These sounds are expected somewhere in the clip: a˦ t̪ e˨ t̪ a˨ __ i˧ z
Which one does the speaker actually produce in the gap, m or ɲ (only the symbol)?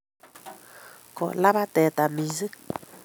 m